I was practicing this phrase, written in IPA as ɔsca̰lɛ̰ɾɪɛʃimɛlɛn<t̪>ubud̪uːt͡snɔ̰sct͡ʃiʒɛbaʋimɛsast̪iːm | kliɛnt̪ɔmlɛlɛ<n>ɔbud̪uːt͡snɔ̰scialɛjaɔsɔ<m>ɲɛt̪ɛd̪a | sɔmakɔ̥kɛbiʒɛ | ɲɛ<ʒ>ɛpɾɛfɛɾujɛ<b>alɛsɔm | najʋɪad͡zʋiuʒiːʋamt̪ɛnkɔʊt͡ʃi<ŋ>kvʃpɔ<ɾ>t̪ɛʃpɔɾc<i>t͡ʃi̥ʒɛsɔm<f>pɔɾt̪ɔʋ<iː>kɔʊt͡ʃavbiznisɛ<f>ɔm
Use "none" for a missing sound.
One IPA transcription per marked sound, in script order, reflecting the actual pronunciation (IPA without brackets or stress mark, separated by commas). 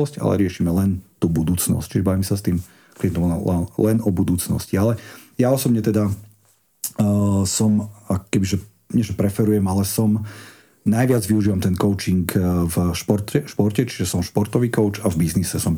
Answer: t̪, n, b, ʒ, m, ŋ, ɾ, ɛ, ʃ, iː, s